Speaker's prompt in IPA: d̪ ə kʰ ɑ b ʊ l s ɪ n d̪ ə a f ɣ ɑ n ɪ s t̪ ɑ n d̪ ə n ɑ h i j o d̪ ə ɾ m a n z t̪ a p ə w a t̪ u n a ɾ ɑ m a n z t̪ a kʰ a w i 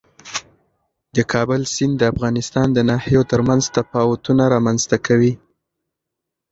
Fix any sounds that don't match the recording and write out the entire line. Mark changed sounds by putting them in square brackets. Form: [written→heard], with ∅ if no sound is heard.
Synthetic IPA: d̪ ə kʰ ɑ b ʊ l s ɪ n d̪ ə a f ɣ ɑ n ɪ s t̪ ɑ n d̪ ə n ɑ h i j o [d̪→t̪] ə ɾ m a n z t̪ a p [ə→ɑ] w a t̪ u n a ɾ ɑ m a n z t̪ a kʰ a w i